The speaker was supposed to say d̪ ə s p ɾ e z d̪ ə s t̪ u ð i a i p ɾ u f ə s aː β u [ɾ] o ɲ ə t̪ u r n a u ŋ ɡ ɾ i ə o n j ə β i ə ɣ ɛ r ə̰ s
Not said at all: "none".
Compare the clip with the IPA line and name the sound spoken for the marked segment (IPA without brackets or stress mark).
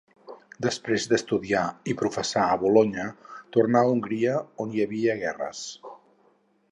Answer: l